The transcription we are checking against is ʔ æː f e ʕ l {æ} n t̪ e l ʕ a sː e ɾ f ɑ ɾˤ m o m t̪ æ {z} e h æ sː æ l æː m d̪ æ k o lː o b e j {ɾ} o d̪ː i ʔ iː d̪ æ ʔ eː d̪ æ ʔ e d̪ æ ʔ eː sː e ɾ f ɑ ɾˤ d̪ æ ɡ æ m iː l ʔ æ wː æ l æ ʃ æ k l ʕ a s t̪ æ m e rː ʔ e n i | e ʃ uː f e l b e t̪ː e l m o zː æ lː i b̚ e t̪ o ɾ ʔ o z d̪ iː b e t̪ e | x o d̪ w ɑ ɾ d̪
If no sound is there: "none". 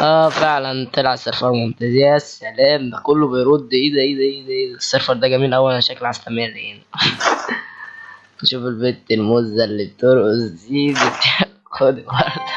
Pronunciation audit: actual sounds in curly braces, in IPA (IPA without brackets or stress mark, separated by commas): æ, z, ɾ